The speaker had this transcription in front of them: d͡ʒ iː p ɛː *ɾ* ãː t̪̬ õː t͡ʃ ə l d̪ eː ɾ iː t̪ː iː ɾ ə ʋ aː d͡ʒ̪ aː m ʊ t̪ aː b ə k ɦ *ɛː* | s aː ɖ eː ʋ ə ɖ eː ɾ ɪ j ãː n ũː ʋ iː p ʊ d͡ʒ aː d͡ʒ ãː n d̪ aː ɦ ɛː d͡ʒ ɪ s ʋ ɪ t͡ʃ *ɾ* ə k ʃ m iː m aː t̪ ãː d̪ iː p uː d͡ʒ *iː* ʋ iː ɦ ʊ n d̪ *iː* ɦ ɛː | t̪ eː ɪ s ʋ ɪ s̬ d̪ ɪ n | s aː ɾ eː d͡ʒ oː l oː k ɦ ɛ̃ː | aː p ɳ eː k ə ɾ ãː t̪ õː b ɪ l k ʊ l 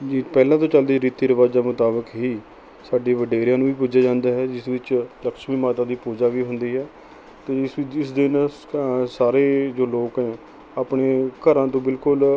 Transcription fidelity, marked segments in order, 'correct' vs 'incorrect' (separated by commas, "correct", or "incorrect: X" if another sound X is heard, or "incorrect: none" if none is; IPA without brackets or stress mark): incorrect: l, incorrect: iː, incorrect: l, incorrect: aː, correct